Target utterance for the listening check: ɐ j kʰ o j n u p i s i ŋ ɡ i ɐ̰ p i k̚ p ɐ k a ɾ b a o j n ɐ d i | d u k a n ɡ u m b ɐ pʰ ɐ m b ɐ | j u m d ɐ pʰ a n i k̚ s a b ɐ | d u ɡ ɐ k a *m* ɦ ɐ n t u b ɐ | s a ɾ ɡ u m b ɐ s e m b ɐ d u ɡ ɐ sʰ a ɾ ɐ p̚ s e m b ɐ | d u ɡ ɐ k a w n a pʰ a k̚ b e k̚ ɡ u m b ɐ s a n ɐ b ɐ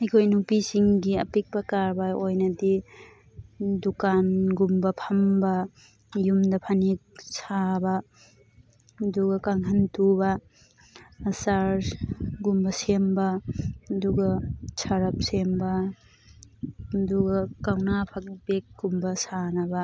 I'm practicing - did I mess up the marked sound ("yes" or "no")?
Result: yes